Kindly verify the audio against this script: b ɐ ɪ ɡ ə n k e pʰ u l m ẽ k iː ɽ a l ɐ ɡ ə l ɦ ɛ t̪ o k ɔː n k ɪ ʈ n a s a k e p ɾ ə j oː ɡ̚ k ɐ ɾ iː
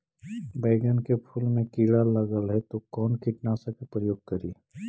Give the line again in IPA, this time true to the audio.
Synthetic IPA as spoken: b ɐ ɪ ɡ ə n k e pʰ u l m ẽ k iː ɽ a l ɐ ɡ ə l ɦ ɛ t̪ o k ɔː n k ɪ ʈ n a s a k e p ɾ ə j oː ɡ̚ k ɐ ɾ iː